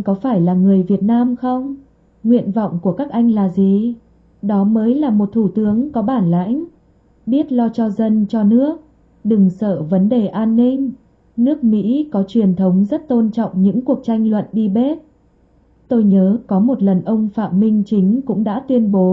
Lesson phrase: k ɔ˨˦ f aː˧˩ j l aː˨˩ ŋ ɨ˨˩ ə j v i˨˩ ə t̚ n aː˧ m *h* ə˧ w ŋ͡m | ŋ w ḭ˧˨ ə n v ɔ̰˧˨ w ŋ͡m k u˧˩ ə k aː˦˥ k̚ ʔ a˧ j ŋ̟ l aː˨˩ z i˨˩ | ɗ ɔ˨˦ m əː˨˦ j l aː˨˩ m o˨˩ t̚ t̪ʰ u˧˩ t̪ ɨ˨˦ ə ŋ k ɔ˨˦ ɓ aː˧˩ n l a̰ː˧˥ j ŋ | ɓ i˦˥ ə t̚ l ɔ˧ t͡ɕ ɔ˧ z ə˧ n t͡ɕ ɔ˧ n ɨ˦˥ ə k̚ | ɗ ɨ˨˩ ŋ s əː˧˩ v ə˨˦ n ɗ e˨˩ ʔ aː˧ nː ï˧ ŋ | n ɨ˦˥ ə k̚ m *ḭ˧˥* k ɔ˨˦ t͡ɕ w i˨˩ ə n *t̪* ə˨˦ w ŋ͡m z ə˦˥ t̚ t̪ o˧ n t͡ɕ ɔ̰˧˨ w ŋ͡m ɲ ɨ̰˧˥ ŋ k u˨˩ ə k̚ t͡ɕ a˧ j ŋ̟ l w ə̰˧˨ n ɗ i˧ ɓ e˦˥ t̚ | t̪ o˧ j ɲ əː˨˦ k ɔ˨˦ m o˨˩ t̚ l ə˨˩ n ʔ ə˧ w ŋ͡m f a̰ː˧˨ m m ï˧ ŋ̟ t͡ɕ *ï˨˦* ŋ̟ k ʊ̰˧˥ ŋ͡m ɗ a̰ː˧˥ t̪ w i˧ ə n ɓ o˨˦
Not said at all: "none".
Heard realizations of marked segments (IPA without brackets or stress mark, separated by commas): x, ḭ˧˥, t̪ʰ, ï˨˦